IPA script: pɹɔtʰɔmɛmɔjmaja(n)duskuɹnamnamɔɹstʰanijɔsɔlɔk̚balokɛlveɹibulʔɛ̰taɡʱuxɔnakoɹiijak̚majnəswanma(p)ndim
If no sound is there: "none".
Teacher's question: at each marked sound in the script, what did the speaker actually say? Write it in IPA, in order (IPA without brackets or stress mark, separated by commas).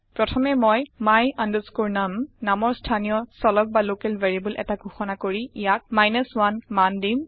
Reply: n, none